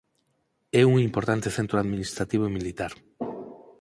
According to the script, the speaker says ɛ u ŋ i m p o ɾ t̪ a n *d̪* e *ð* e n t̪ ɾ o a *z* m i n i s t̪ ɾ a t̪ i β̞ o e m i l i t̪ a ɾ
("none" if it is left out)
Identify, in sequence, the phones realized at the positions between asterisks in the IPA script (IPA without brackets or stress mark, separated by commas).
t̪, θ, ð